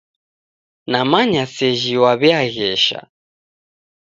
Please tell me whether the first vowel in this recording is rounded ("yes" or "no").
no